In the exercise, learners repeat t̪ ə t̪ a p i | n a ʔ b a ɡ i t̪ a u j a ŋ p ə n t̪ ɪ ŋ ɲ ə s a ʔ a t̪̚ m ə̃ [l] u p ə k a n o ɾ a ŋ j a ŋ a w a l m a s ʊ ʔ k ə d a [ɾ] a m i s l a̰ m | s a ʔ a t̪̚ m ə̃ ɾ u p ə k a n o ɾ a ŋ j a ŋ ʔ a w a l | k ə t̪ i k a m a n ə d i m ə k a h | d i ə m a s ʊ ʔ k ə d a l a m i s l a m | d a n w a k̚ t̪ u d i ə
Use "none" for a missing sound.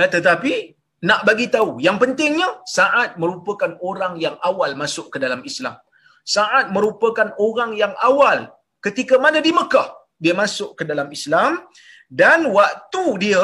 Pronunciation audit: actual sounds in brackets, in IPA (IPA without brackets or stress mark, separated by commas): ɾ, l